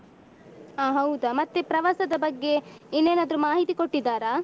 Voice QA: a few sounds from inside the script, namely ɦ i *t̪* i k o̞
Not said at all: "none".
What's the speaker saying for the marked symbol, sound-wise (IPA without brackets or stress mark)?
t̪